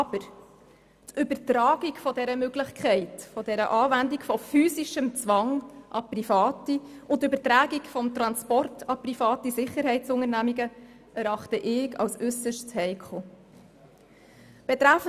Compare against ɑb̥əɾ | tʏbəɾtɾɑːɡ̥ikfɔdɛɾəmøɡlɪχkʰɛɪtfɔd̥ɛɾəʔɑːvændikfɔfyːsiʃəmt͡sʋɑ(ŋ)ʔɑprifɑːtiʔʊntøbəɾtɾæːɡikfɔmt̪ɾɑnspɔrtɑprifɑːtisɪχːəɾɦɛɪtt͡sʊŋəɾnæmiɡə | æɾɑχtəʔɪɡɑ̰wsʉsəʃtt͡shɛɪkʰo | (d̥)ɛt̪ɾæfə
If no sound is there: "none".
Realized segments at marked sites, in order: ŋ, b̥

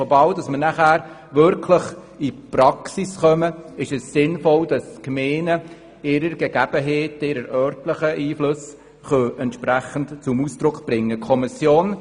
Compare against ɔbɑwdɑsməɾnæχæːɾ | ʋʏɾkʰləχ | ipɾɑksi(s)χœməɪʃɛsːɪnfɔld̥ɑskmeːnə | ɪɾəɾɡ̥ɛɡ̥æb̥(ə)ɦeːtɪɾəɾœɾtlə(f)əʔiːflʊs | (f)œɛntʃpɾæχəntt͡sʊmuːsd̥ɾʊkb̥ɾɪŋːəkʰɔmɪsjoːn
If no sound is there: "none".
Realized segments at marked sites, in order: s, ə, χ, χ

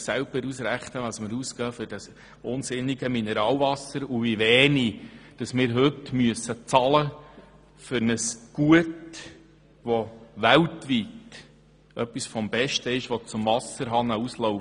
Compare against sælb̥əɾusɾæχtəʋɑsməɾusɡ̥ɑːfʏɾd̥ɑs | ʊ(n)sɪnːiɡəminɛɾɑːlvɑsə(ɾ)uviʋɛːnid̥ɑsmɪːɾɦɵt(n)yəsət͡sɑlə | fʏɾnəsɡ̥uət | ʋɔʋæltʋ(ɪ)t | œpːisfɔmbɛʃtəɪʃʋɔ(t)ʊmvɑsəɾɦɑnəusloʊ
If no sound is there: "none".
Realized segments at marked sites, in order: n, ɾ, m, i, t͡s

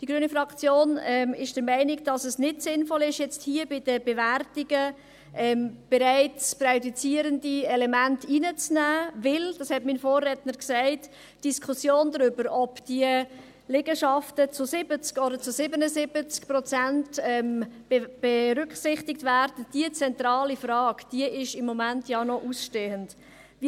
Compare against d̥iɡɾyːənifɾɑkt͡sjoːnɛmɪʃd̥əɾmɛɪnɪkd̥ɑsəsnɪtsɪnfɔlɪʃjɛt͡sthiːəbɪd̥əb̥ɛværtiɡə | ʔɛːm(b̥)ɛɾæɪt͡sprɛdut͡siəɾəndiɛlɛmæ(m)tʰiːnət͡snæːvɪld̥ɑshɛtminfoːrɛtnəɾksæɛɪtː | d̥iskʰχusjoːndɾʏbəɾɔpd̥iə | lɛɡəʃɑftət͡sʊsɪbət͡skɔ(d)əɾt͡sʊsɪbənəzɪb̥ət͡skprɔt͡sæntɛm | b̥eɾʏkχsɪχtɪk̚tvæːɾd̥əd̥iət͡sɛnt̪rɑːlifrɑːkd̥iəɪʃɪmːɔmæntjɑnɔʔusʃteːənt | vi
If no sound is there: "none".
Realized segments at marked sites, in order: b̥, n, d

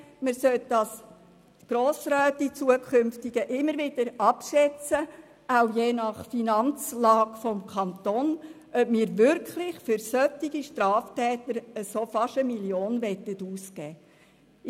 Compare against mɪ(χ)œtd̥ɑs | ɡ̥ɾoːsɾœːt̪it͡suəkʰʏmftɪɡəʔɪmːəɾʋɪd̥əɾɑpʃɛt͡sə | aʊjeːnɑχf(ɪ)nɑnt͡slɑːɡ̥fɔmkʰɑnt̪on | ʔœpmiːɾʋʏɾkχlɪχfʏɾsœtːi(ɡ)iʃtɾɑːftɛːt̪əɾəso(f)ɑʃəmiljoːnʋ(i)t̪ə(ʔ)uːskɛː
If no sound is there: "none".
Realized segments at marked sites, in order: s, i, ɡ, f, ɛ, t

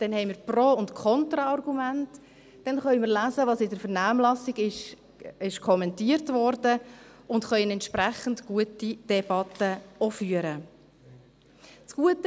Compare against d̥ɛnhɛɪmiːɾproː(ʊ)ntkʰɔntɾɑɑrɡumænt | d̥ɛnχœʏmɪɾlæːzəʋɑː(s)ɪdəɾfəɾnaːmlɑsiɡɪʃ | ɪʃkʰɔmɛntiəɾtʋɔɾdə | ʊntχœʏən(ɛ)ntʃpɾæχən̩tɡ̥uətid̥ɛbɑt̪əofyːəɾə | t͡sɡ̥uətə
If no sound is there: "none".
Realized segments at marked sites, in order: ʊ, s, ɛ

